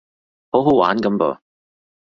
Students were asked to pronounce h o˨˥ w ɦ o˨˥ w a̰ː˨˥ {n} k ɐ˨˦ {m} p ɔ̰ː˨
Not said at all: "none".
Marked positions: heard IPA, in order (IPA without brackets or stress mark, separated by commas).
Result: n, m